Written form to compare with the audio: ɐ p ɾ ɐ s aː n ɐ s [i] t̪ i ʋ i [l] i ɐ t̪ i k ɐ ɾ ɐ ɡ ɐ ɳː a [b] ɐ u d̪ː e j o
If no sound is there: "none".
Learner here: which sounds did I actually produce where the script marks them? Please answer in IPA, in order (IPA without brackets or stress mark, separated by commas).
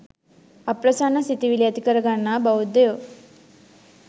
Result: i, l, b